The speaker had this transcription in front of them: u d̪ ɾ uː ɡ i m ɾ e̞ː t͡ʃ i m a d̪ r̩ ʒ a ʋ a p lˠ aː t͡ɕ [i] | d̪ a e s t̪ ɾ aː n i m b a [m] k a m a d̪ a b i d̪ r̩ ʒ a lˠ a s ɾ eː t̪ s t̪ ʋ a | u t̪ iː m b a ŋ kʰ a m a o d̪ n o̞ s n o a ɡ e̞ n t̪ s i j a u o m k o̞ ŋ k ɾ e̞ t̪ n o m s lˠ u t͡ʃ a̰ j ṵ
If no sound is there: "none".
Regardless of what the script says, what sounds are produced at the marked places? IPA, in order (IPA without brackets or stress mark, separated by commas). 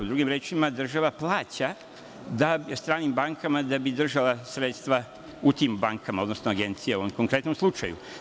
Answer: a, ŋ